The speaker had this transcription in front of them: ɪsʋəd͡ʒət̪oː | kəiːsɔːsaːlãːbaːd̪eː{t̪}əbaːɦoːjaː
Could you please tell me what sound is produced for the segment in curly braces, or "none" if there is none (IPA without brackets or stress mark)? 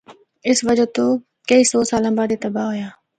t̪